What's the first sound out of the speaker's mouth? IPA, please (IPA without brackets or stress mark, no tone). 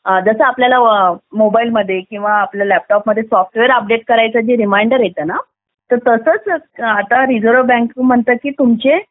d͡z